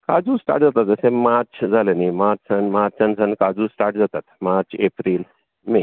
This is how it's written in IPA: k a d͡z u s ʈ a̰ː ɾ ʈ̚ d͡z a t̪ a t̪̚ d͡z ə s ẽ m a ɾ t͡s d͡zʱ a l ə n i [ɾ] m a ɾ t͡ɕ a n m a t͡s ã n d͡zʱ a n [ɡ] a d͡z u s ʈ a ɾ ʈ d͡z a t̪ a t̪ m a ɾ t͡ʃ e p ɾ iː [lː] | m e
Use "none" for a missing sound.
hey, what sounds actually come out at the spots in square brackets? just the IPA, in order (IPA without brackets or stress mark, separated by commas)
none, k, l